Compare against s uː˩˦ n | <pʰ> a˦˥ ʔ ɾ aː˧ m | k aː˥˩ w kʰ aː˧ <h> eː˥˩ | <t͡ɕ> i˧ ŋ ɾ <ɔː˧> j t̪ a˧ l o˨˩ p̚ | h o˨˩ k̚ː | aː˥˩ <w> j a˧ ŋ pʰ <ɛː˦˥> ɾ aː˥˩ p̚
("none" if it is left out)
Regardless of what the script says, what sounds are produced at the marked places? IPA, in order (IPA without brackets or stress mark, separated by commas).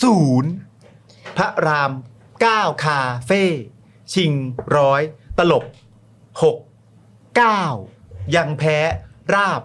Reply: pʰ, f, t͡ɕʰ, ɔː˦˥, w, ɛː˦˥